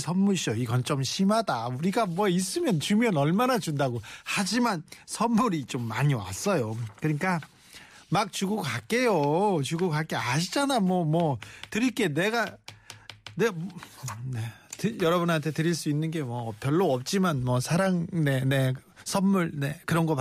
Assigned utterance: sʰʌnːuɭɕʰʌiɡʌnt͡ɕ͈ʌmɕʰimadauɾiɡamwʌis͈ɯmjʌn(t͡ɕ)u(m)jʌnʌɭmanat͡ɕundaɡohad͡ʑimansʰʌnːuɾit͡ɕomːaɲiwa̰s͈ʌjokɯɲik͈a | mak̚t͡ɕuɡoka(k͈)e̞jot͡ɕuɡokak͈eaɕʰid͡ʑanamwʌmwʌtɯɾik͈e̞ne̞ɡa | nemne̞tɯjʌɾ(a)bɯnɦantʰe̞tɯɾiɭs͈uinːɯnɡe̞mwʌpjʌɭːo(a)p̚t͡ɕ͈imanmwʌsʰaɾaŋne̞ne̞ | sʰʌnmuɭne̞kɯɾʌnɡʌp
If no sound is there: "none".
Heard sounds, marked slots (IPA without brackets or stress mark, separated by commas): t͡ɕ, m, k͈, ʌ, ʌ